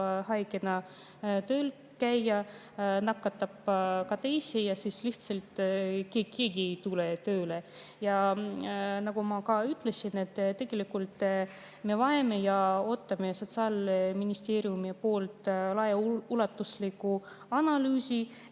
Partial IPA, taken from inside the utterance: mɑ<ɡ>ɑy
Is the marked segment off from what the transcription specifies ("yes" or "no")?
yes